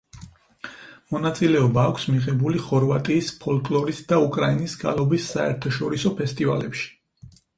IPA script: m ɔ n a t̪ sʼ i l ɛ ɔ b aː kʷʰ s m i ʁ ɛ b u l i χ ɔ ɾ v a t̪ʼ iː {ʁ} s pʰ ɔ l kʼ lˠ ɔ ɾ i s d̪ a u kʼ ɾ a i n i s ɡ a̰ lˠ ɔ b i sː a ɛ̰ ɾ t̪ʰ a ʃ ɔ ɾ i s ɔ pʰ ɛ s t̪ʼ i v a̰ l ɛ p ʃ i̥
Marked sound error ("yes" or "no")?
yes